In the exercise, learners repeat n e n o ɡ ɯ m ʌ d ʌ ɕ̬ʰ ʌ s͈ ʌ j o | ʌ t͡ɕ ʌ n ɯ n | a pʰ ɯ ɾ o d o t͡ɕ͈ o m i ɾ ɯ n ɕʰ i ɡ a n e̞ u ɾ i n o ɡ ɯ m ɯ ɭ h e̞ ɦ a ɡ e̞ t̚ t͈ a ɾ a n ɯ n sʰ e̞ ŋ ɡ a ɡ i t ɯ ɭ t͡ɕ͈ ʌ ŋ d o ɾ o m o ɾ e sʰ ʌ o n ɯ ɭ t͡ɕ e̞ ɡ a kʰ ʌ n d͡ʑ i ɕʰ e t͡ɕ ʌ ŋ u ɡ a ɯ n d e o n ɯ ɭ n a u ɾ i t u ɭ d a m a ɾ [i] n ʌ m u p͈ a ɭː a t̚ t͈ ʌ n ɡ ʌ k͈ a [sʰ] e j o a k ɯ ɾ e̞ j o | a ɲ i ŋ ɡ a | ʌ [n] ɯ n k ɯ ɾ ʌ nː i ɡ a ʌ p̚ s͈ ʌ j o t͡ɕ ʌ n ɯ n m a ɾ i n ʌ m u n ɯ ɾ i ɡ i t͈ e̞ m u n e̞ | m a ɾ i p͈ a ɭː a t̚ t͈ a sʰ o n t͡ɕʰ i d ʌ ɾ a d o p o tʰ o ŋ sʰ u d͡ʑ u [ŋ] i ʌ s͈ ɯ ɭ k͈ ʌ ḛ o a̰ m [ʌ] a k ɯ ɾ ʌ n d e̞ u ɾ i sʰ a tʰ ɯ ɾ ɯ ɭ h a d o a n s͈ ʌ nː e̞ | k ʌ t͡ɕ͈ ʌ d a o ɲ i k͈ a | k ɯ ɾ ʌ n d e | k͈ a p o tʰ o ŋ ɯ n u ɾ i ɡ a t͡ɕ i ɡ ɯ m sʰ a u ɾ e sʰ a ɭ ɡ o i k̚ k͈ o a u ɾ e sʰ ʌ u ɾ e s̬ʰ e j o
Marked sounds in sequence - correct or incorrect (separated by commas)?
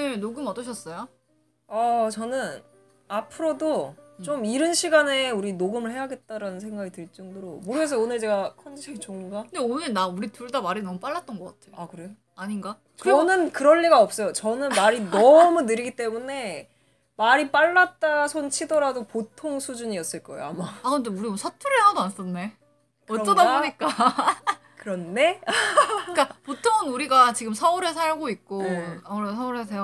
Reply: correct, incorrect, correct, incorrect, incorrect